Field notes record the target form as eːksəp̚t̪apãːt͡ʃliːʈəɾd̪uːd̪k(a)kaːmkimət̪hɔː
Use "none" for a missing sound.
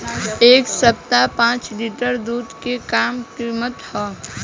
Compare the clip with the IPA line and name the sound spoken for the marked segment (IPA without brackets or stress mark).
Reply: e